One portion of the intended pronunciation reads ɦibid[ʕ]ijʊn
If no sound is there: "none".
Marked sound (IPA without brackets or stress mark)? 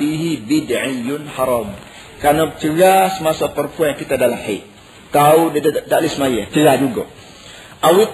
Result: ʕ